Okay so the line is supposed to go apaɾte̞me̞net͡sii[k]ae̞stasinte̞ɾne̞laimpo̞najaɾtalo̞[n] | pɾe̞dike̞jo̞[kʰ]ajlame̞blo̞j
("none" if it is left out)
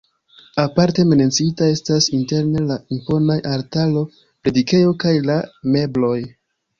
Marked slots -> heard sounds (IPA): t, none, k

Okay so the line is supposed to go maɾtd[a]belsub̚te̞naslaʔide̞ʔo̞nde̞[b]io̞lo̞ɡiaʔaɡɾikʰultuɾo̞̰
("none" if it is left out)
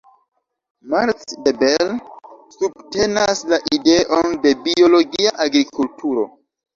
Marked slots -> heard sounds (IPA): e, b

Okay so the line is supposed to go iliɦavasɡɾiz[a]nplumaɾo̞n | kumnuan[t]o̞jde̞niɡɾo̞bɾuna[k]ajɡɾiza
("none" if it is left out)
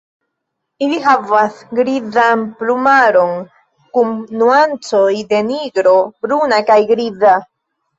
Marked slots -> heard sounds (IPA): a, t͡s, k

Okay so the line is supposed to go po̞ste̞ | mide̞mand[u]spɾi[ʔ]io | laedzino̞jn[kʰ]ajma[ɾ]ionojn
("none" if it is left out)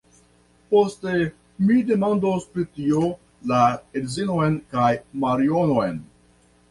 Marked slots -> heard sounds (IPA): o, t, k, ɾ

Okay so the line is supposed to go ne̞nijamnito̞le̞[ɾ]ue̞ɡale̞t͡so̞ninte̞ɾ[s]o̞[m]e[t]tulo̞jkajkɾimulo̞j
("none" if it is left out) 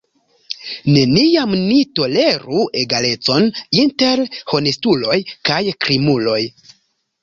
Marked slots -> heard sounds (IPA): ɾ, h, n, s

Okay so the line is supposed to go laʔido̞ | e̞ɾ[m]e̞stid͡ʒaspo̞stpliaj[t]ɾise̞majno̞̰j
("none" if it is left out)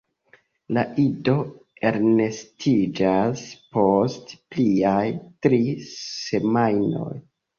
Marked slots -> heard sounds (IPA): n, t

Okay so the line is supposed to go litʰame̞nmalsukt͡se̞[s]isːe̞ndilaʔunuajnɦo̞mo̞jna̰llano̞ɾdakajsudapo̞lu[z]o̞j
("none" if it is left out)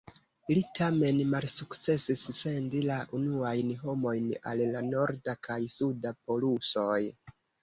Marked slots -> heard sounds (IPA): s, s

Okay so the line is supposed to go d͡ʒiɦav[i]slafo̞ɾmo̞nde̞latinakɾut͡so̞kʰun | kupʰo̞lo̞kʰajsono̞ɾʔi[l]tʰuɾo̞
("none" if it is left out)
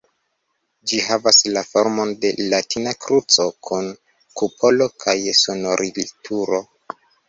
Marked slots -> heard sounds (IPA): a, l

